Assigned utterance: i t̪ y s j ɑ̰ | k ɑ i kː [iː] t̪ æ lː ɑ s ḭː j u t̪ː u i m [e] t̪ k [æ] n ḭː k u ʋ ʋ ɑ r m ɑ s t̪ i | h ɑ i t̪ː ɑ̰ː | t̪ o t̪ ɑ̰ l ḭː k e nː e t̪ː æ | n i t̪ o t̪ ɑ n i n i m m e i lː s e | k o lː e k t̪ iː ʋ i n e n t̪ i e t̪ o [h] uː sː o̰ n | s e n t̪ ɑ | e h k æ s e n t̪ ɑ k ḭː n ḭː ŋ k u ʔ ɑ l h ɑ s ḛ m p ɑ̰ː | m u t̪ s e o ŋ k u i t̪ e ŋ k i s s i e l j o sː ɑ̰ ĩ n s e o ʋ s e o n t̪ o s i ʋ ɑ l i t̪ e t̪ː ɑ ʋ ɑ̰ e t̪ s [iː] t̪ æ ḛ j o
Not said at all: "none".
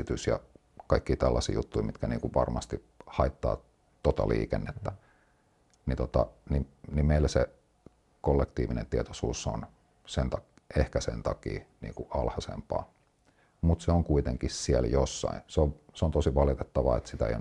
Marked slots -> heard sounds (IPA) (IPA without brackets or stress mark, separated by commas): iː, i, æ, s, i